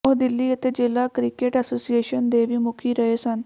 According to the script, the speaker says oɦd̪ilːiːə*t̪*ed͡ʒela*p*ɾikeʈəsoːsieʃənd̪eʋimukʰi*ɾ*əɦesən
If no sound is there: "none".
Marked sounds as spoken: t̪, k, ɾ

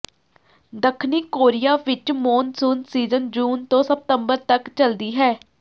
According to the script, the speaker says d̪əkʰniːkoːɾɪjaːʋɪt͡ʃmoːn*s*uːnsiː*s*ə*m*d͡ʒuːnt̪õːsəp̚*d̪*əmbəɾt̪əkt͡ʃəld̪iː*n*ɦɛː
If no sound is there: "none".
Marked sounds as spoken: s, z, n, t̪, none

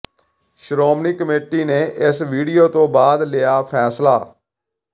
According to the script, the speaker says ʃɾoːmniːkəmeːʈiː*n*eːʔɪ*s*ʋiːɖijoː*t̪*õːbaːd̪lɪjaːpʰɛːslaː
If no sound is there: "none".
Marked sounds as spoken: n, s, t̪

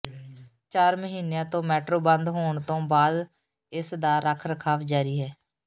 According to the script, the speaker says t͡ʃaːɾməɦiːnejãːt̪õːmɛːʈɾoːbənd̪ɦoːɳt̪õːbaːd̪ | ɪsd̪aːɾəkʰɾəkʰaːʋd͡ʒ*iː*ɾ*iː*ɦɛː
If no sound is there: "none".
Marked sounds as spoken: aː, iː

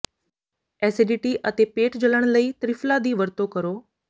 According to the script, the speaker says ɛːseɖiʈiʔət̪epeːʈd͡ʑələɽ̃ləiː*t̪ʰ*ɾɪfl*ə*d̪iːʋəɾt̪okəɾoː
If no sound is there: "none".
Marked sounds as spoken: t̪, a

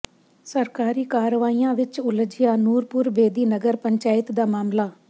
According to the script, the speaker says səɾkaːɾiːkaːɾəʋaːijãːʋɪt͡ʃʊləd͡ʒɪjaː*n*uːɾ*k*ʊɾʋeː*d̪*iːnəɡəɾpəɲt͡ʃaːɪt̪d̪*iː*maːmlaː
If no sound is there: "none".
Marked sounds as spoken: n, p, d̪, aː

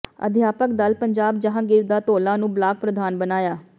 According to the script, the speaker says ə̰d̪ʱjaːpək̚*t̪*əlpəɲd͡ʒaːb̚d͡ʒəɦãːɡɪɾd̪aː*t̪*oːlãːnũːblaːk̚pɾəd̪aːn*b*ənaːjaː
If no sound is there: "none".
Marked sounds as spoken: d̪, t̪, b

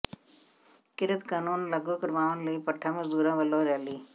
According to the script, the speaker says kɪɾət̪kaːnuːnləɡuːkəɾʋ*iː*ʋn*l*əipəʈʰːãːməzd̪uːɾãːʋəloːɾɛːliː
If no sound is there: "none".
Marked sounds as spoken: aː, l

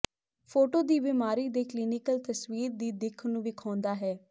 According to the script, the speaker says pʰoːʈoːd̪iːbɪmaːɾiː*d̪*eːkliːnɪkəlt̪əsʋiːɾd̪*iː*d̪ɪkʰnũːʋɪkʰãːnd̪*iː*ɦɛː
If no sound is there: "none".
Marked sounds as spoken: d̪, iː, aː

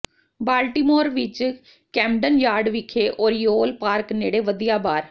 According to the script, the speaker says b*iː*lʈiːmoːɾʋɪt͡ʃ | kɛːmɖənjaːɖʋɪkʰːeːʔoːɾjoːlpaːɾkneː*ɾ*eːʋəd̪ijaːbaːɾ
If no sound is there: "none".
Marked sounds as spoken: aː, ɽ

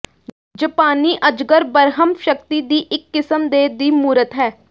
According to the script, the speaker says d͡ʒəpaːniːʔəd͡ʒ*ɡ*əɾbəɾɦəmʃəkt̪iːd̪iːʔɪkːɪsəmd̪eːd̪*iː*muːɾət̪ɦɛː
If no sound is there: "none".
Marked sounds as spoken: ɡ, iː

